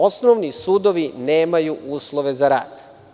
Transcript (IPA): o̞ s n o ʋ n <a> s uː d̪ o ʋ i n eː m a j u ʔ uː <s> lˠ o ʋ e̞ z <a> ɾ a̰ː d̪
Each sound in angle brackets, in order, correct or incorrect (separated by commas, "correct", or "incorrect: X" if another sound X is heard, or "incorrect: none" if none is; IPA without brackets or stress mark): incorrect: i, correct, correct